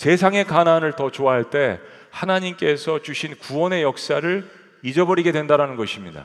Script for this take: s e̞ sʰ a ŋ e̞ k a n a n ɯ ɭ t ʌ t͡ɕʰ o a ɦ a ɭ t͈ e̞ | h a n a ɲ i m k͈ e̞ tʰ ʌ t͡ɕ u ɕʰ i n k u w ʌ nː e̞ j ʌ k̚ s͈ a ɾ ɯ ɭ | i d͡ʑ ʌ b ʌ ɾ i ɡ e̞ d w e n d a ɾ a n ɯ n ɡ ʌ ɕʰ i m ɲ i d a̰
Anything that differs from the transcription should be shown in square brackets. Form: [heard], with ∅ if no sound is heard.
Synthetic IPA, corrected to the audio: s e̞ sʰ a ŋ e̞ k a n a n ɯ ɭ t ʌ [t͡ɕ] o a ɦ a ɭ t͈ e̞ | h a n a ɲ i m k͈ e̞ [sʰ] ʌ t͡ɕ u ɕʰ i n k u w ʌ [n] e̞ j ʌ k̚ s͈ a ɾ ɯ ɭ | i d͡ʑ ʌ b ʌ ɾ i ɡ e̞ d w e n d a ɾ a n ɯ n ɡ ʌ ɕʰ i m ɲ i d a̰